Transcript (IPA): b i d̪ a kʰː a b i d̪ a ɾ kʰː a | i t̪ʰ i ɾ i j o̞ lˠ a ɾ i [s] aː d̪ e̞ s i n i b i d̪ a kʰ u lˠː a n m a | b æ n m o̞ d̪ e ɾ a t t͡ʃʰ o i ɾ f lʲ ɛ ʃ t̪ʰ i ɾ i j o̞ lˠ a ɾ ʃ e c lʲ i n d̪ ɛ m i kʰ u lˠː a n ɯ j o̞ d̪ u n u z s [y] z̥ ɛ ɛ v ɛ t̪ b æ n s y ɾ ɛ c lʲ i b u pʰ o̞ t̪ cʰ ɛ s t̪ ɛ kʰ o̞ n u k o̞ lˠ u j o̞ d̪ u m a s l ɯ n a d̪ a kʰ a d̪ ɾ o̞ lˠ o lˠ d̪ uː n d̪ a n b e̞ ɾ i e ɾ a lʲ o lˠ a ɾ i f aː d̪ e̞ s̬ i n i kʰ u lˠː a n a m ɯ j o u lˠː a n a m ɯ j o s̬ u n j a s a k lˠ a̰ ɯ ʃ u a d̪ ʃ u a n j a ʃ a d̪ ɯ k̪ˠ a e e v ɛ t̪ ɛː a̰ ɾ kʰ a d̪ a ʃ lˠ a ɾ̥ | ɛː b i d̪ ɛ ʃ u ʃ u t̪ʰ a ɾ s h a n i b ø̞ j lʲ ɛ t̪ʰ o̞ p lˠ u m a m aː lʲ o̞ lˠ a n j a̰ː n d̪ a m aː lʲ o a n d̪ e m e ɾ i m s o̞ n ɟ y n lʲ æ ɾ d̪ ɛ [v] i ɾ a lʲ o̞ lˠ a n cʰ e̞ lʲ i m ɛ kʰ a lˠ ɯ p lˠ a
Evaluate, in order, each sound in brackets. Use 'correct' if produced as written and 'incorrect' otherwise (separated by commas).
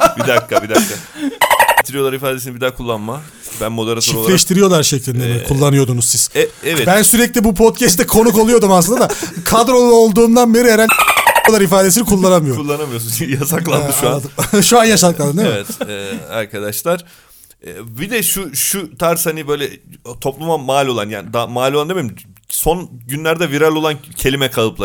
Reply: incorrect, incorrect, correct